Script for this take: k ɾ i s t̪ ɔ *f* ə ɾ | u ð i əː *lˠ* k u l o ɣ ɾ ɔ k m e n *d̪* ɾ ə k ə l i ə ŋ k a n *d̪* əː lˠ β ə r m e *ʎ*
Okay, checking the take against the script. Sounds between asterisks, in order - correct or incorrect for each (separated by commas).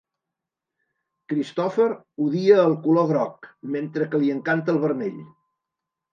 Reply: correct, correct, incorrect, incorrect, correct